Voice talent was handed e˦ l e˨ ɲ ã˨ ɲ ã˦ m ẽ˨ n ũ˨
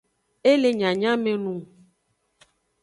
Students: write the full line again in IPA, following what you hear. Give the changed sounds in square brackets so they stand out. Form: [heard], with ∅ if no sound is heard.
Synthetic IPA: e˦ l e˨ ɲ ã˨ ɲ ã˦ m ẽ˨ n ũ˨

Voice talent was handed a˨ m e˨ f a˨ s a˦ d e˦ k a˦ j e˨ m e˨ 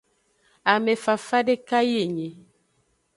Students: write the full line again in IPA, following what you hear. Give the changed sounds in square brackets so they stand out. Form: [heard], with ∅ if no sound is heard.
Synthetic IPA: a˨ m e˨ f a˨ [f] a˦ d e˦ k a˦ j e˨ [ɲ] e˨

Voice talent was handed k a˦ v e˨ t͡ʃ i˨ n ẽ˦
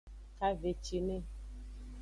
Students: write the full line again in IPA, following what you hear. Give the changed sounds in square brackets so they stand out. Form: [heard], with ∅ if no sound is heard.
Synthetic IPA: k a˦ v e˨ t͡ʃ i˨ n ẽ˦

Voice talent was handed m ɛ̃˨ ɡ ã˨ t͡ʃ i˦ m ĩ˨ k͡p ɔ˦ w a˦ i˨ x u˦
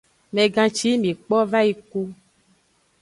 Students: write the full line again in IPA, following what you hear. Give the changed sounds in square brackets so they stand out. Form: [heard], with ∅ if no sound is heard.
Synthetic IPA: m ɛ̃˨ ɡ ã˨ t͡ʃ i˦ m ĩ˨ k͡p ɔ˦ [v] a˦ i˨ [k] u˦

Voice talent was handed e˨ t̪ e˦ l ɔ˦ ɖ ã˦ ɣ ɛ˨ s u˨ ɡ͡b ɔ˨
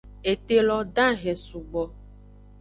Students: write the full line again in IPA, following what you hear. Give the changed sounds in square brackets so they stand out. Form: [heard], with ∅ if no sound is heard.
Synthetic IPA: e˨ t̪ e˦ l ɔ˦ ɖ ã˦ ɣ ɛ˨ s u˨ ɡ͡b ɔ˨

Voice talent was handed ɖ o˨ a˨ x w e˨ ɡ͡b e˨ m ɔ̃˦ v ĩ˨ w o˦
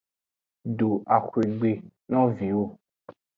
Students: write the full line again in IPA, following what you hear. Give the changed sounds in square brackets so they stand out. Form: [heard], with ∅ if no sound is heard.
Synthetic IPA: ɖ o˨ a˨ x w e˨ ɡ͡b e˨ [n] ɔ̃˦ v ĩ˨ w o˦

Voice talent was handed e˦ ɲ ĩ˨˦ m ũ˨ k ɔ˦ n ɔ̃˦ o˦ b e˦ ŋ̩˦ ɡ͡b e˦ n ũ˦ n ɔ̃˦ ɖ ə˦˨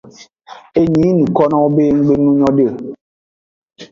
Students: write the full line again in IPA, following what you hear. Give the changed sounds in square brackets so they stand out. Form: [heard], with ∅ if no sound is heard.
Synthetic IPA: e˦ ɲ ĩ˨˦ [n] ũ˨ k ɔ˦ n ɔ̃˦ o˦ b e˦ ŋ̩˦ ɡ͡b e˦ n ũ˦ [ɲ] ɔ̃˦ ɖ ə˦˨

